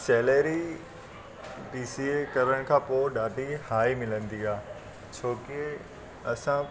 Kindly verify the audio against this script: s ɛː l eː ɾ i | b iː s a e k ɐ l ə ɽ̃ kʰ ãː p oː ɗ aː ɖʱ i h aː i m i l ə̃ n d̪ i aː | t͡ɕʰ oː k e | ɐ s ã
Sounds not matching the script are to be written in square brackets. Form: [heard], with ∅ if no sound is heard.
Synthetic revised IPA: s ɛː l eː ɾ i | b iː s [i] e k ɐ [ɾ] ə ɽ̃ kʰ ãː p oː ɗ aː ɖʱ i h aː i m [ɪ] l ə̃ n d̪ i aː | t͡ɕʰ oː k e | ɐ s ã